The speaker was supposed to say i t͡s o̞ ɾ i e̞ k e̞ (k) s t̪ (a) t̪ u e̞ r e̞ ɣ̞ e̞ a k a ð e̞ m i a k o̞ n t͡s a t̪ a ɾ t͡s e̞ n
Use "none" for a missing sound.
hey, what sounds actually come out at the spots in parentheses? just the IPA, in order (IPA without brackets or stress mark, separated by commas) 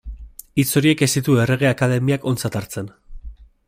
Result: none, i